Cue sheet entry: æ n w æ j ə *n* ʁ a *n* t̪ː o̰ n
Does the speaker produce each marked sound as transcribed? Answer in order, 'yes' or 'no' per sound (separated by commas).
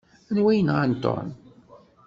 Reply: yes, yes